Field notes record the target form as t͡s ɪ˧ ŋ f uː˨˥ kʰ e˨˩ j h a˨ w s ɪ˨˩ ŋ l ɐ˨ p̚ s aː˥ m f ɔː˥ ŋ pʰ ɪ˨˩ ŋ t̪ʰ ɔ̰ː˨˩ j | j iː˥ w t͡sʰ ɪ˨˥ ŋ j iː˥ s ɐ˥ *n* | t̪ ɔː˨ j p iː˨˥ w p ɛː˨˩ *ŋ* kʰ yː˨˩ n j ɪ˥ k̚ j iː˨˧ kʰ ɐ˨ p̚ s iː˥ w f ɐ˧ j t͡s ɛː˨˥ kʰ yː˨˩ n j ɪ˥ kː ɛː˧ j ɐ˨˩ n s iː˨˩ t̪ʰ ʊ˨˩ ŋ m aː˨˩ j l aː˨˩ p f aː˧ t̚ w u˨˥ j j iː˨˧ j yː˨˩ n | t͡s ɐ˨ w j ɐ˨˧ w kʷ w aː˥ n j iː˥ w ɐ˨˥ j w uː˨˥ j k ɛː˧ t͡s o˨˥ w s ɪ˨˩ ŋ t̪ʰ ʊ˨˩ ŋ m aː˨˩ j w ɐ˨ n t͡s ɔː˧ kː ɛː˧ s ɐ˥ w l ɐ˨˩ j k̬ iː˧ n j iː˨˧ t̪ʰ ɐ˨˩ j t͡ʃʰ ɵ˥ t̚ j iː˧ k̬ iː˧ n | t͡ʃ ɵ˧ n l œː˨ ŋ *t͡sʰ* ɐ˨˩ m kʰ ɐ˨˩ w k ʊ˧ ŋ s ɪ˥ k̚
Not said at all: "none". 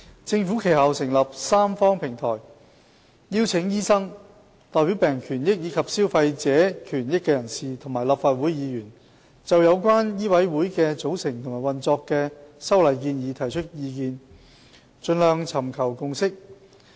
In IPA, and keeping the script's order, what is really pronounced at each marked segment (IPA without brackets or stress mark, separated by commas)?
ŋ, ŋ, t͡sʰ